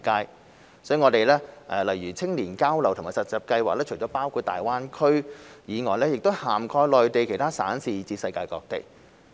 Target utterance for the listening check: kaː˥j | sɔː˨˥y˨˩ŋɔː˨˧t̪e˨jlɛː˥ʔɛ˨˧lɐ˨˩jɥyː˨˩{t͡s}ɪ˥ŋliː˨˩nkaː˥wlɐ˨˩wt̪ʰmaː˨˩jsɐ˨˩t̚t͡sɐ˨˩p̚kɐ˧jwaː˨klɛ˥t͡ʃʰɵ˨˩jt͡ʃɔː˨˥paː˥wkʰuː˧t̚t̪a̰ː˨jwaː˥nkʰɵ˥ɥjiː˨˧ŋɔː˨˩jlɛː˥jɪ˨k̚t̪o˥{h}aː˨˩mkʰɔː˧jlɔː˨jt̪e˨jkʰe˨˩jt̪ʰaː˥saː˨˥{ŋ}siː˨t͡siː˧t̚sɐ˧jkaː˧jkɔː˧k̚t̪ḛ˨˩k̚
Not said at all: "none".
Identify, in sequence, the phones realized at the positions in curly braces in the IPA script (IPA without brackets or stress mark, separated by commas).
t͡sʰ, h, n